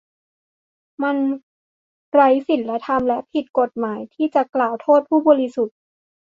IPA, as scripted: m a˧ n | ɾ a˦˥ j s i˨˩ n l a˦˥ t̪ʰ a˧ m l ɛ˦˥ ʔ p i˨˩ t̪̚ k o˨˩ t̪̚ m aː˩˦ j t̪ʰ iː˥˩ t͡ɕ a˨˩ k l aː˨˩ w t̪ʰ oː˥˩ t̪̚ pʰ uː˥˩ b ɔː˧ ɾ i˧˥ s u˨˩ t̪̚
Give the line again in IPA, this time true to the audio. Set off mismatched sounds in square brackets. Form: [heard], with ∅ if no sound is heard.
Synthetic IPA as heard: m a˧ n | ɾ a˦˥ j s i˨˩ n l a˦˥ t̪ʰ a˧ m l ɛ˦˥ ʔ [pʰ] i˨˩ t̪̚ k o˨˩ t̪̚ m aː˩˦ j t̪ʰ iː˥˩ t͡ɕ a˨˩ k l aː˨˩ w t̪ʰ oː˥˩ t̪̚ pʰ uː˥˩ b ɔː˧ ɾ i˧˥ s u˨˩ t̪̚